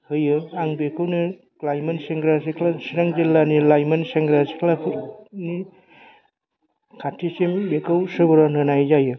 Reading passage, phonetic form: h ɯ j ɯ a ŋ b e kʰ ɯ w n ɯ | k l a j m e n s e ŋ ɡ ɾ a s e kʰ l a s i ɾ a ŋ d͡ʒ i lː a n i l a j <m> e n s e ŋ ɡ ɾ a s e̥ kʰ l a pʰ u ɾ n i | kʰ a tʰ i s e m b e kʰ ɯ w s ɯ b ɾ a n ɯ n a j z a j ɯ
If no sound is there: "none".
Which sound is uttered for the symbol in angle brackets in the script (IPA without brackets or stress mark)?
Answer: m